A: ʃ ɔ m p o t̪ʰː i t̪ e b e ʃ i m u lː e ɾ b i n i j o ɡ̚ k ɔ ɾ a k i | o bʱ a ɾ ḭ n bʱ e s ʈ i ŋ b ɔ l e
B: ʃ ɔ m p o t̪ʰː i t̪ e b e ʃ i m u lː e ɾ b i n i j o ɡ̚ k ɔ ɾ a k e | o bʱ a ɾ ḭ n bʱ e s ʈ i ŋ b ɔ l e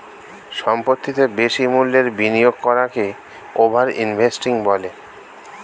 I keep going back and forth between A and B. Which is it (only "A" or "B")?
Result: B